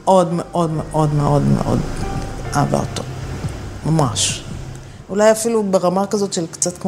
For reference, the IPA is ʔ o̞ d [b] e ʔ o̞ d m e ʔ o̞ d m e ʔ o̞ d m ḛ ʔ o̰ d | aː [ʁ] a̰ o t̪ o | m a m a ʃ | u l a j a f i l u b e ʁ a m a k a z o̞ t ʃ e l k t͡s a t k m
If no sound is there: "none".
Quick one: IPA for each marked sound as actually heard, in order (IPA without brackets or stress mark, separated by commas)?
m, v